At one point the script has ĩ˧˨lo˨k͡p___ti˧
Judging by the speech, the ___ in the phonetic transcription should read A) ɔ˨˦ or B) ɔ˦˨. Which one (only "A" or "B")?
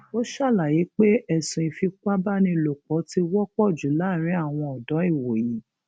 A